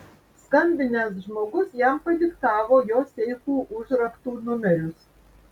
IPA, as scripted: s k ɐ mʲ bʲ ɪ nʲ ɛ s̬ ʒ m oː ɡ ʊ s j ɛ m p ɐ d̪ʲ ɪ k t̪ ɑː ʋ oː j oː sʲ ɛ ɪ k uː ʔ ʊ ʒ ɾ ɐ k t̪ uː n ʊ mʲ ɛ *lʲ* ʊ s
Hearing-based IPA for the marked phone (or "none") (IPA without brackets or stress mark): ɾʲ